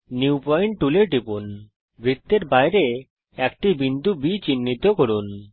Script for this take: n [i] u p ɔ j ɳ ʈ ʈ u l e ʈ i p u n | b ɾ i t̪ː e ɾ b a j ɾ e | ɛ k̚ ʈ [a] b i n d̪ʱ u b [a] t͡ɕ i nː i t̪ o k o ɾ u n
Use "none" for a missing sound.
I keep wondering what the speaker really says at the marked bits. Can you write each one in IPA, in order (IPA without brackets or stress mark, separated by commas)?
i, i, i